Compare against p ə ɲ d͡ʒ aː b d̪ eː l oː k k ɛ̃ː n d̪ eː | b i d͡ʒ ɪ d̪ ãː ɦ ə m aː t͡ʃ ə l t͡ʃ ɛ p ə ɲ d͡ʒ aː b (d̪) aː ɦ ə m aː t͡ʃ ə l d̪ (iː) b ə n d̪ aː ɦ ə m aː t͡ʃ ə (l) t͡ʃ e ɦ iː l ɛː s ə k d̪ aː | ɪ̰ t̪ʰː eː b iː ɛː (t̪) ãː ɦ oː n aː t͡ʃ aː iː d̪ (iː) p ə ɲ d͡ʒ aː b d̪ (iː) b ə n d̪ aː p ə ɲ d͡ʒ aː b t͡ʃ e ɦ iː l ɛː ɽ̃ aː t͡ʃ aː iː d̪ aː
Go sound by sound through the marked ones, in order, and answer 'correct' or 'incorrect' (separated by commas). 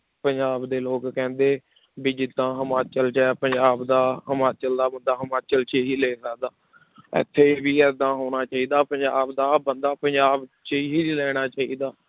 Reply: correct, incorrect, correct, incorrect, incorrect, incorrect